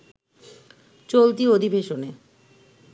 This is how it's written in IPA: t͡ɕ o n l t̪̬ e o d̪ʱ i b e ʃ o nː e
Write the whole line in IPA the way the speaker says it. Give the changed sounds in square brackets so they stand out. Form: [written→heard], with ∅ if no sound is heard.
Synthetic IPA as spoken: t͡ɕ o [n→∅] l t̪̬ [e→i] o d̪ʱ i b e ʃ o [nː→n] e